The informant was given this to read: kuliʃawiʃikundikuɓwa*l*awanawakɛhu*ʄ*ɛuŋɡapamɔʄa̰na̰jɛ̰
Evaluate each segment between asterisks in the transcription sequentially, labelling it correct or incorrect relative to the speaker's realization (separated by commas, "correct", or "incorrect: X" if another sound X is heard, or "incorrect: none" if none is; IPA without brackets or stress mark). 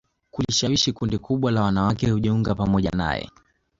correct, correct